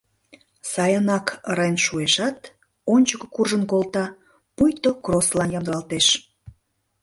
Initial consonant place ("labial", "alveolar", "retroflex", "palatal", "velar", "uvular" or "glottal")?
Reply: alveolar